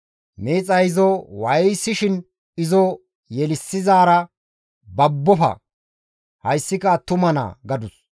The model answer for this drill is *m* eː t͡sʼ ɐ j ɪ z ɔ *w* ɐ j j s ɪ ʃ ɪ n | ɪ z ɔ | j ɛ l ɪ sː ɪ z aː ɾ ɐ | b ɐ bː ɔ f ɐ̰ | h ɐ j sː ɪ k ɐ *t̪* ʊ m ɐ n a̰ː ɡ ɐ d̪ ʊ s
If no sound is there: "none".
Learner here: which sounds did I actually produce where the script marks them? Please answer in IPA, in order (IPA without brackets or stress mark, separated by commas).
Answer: m, w, t̪